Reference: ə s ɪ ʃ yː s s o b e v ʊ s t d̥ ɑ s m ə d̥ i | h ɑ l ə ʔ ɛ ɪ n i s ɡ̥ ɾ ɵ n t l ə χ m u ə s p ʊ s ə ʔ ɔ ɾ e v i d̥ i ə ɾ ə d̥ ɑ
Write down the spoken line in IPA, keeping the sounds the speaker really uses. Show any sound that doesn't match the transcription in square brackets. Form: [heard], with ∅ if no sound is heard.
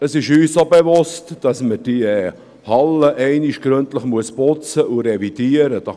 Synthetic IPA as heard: ə s ɪ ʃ yː s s o b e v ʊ s t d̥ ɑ s m ə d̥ i | h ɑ l ə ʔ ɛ ɪ n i [ʃ] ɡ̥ ɾ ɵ n t l ə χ m u ə s p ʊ [t͡s] ə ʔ [u] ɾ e v i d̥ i ə ɾ ə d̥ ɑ